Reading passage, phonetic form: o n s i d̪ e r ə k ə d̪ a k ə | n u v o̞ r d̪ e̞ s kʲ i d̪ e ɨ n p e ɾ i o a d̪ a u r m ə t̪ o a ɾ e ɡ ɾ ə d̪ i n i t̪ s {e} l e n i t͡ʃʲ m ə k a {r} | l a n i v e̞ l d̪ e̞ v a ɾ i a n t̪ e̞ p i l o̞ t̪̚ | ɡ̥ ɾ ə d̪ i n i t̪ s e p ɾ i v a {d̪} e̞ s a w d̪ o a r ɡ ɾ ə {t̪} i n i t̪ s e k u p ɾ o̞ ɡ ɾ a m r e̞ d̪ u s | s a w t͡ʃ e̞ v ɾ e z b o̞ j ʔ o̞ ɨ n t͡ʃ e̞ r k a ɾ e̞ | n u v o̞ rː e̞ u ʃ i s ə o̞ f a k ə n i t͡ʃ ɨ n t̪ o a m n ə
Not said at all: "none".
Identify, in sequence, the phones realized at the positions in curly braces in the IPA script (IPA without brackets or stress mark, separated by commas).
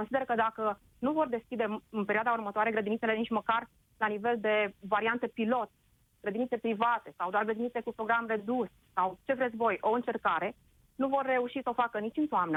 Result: e, r, t̪, d̪